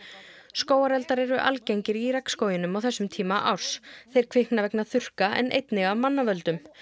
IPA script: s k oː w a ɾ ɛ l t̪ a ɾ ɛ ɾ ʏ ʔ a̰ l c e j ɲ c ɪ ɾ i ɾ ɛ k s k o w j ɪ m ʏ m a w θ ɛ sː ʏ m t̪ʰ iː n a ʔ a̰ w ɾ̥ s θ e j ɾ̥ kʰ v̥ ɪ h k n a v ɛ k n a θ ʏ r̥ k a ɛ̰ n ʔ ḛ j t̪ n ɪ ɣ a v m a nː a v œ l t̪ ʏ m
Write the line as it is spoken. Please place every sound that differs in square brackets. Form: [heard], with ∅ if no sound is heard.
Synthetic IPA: s k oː w a ɾ ɛ l t̪ a ɾ ɛ ɾ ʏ ʔ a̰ l c e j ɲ c ɪ ɾ i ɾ ɛ k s k o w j ɪ [n] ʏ m a w θ ɛ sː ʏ m t̪ʰ iː [m] a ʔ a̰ w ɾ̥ s θ e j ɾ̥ kʰ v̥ ɪ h k n a v ɛ k n a θ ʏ r̥ k a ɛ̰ n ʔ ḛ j t̪ n ɪ ɣ a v m a nː a v œ l t̪ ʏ m

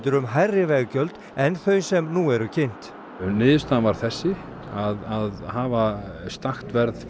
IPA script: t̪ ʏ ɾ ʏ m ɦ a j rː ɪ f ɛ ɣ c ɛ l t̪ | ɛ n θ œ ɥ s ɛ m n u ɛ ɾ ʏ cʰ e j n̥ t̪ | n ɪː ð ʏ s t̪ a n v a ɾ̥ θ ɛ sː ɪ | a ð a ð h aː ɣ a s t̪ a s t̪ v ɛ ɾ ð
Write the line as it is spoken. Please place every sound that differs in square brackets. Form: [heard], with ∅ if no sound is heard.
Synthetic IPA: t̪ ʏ ɾ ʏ m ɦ a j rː ɪ [v] ɛ ɣ c [œ] l t̪ | ɛ n θ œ ɥ s ɛ m n u ɛ ɾ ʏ cʰ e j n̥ t̪ | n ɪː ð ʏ s t̪ a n v a ɾ̥ θ ɛ sː ɪ | a ð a ð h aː [v] a s t̪ a [x] t̪ v ɛ ɾ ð

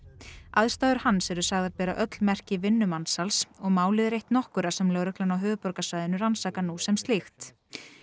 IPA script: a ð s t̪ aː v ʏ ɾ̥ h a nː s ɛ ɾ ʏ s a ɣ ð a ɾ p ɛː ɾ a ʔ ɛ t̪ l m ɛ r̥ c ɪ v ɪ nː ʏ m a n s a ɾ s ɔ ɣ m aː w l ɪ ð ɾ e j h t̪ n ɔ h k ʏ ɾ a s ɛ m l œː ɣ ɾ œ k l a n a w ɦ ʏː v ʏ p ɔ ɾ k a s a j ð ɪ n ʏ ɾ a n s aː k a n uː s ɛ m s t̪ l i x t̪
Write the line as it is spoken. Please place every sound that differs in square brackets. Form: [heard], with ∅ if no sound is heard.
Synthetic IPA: a ð s t̪ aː [ð] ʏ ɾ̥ h a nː s ɛ ɾ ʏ s a ɣ ð a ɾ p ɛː ɾ a ʔ [œ] t̪ l m ɛ r̥ c ɪ v ɪ nː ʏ m a n s a [l] s ɔ ɣ m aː w l ɪ ð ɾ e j h t̪ n ɔ h k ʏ ɾ a s ɛ m l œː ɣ ɾ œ k l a n a w ɦ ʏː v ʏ p ɔ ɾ k a s a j ð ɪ n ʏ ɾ a n s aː k a n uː s ɛ m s t̪ l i x t̪

